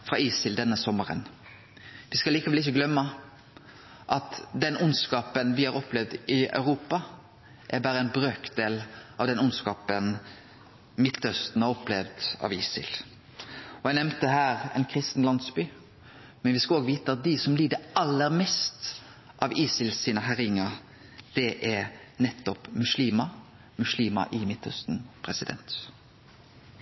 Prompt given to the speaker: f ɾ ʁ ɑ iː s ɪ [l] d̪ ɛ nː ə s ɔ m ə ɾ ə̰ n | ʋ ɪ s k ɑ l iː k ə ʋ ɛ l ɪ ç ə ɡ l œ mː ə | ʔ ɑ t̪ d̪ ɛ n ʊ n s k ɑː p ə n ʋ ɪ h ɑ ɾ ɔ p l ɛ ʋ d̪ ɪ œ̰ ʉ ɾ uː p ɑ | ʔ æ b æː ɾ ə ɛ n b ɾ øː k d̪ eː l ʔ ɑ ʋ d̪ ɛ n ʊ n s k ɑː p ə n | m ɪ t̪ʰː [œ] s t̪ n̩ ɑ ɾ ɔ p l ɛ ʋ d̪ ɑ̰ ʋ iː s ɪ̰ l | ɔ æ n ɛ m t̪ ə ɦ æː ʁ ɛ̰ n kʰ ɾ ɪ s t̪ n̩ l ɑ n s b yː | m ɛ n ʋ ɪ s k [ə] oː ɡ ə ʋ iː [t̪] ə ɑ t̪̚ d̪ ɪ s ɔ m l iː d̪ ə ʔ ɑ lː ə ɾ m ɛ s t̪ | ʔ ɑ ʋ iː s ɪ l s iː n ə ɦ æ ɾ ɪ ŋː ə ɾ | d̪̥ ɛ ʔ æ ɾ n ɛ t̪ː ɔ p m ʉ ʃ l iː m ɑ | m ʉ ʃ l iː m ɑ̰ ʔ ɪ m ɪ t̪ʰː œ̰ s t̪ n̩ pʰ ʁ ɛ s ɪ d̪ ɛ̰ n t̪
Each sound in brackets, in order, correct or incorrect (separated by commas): correct, correct, incorrect, correct